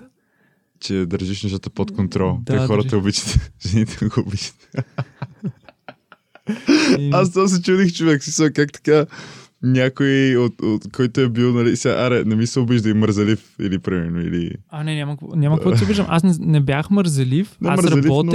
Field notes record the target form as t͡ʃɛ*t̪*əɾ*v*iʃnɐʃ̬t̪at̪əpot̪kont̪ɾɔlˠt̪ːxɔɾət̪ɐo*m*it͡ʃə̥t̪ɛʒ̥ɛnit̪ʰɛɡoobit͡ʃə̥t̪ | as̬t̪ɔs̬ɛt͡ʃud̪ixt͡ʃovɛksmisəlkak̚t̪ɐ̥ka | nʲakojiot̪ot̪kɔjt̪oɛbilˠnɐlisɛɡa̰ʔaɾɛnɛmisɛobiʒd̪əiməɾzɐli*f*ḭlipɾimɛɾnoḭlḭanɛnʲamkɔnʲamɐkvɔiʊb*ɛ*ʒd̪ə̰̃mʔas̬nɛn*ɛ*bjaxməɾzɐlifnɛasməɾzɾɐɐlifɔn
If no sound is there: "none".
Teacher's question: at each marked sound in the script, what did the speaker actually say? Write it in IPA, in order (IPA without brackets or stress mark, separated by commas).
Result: d̪, ʒ, b, f, i, ɛ